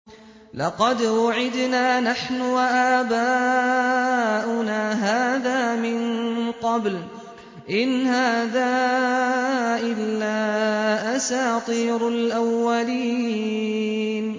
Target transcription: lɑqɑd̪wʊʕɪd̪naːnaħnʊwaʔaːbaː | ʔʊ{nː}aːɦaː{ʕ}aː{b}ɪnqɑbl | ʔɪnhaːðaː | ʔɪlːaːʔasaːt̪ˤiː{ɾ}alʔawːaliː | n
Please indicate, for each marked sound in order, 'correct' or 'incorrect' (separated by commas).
incorrect, incorrect, incorrect, correct